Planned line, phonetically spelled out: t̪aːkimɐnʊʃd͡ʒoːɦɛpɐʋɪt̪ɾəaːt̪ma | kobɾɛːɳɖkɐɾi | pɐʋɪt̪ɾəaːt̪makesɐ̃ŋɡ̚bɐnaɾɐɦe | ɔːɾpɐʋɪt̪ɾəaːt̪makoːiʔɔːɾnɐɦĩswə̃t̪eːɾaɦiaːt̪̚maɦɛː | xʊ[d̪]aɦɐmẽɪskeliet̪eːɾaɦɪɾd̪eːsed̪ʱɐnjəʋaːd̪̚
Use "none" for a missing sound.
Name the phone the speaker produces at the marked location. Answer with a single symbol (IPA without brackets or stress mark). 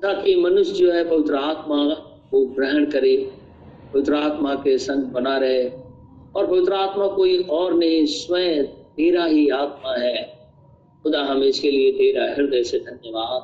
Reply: d̪